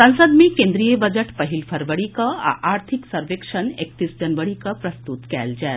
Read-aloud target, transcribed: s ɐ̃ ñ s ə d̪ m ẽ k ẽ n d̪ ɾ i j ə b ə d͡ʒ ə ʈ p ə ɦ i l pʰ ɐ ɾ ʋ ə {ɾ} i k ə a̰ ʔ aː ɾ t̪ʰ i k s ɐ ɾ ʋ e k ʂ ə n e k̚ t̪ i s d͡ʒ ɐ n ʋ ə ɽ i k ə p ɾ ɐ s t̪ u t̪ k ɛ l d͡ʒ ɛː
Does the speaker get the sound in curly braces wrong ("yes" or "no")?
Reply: yes